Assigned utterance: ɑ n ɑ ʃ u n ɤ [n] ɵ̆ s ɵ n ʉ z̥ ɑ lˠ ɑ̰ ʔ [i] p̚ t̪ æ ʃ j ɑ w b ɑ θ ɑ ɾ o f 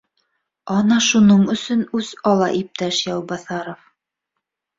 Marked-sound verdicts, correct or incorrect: incorrect: ɴ, correct

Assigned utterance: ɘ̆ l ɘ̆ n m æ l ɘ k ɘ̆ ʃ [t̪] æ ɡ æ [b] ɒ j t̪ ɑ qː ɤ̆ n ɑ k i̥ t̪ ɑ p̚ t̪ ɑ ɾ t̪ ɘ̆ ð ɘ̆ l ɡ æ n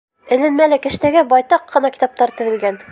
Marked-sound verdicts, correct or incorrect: correct, correct

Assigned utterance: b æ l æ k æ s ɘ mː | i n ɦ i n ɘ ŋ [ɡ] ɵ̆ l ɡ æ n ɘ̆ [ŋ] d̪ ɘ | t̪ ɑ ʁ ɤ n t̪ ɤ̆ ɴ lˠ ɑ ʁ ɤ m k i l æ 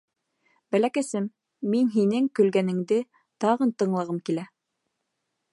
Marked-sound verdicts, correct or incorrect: incorrect: k, correct

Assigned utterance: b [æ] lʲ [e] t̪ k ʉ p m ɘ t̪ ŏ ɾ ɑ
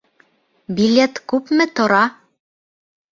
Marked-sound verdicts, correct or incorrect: incorrect: i, correct

